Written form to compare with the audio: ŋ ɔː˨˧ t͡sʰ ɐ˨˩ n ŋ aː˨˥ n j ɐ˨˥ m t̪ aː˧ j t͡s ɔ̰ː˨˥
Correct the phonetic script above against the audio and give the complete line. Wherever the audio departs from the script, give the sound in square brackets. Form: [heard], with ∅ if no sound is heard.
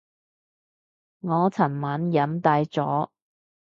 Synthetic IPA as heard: ŋ ɔː˨˧ t͡sʰ ɐ˨˩ n [m] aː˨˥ n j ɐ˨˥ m t̪ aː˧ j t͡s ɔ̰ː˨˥